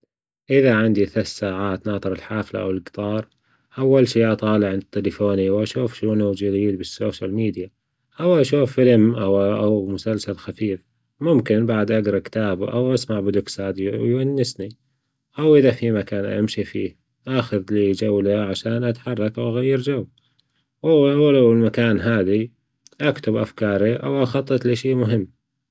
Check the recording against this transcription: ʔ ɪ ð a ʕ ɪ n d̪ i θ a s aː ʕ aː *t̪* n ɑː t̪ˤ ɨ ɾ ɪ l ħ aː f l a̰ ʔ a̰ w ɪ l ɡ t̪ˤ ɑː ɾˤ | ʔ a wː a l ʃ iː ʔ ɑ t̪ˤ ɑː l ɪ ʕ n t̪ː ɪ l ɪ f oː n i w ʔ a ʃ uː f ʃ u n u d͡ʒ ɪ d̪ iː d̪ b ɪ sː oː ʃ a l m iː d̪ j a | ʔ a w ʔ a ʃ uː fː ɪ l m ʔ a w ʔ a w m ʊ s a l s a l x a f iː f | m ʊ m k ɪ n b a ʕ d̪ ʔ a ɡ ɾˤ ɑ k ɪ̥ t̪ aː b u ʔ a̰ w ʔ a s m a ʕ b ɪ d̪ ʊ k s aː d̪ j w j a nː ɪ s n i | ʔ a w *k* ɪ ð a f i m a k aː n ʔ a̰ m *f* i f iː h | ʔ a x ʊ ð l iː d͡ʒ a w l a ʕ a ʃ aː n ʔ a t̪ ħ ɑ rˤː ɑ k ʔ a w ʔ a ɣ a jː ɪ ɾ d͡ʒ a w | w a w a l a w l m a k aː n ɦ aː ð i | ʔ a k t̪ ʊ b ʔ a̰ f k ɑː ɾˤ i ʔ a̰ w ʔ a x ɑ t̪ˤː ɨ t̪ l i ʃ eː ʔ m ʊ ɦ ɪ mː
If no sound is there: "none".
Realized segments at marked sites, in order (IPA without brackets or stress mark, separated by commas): t̪, ʔ, ʃ